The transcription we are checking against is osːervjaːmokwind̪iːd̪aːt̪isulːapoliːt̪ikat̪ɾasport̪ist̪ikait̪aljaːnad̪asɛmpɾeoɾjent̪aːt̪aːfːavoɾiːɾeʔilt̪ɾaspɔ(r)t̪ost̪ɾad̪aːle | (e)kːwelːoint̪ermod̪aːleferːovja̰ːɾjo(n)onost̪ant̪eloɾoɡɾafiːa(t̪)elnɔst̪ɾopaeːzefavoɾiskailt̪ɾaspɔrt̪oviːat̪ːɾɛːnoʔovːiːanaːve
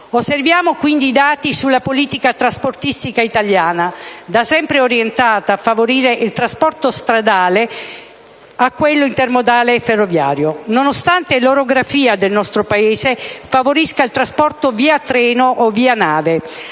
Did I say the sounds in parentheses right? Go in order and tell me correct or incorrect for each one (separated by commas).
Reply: correct, incorrect, correct, incorrect